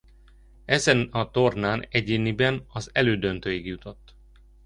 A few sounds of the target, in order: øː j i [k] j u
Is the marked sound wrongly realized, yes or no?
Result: yes